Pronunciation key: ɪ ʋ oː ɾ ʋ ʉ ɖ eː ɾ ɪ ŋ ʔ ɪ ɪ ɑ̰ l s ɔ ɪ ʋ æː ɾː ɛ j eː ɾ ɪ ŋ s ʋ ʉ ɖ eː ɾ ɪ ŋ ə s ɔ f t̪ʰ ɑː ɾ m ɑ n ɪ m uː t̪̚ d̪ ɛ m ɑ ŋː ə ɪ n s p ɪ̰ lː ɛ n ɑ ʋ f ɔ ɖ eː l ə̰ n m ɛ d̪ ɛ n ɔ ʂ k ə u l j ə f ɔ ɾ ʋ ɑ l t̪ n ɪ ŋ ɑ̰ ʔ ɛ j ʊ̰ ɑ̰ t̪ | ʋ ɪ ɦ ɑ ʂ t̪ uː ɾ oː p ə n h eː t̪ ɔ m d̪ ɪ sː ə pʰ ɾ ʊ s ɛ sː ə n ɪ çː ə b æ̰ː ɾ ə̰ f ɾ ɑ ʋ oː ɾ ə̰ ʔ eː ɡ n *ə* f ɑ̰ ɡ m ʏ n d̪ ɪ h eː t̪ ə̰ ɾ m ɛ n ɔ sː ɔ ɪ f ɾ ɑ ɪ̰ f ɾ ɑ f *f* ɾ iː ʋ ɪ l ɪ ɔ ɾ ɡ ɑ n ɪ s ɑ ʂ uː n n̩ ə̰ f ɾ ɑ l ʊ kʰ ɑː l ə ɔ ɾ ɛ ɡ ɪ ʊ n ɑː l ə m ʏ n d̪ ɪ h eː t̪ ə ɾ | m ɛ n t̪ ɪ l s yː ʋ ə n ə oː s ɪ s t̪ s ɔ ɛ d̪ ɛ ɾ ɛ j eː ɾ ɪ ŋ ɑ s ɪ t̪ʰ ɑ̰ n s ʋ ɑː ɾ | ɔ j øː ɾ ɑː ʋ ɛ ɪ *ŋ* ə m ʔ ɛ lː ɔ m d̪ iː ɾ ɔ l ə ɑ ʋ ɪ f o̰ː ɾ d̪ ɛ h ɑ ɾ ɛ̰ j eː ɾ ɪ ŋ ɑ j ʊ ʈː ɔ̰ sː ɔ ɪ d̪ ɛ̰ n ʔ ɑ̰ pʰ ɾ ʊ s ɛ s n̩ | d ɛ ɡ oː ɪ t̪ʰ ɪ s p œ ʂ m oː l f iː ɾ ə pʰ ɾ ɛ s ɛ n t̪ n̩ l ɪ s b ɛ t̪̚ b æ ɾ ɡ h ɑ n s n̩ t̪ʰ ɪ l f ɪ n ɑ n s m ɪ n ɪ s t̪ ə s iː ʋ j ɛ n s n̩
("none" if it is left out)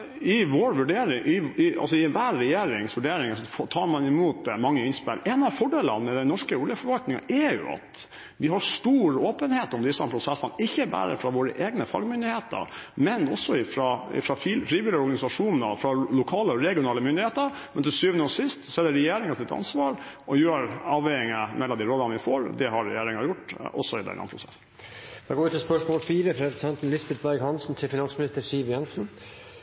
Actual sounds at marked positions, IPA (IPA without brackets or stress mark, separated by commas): ə, f, ŋ